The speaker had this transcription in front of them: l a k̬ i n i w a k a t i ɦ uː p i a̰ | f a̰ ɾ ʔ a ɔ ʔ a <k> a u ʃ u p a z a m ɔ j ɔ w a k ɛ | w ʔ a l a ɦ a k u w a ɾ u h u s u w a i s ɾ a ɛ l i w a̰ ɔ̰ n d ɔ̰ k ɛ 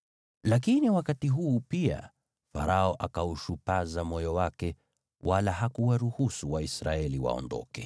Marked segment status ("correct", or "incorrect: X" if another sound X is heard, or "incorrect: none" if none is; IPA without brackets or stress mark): correct